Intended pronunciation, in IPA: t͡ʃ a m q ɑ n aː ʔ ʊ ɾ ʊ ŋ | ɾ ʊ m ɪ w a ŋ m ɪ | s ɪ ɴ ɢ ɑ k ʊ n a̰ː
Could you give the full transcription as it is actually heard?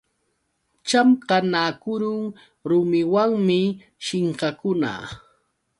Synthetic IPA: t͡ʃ a m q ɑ n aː k ʊ ɾ ʊ ŋ | ɾ ʊ m ɪ w a ŋ m ɪ | ʃ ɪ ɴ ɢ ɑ k ʊ n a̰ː